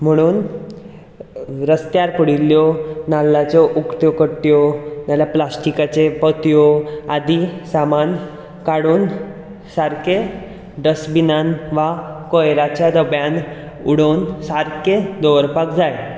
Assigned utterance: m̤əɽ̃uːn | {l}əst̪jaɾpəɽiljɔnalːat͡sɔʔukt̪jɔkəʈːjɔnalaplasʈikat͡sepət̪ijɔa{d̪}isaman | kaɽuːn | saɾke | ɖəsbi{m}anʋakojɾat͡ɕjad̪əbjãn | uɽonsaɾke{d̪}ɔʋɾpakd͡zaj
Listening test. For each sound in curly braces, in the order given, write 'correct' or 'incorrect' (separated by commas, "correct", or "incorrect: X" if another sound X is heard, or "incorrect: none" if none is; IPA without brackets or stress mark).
incorrect: ɾ, correct, incorrect: n, correct